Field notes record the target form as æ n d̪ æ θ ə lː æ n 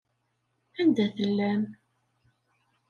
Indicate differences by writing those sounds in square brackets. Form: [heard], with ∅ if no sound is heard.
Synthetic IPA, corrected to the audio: æ n d̪ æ θ ə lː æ [m]